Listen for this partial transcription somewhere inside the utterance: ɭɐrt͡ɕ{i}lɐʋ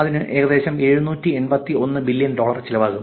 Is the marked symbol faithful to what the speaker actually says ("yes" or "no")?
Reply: yes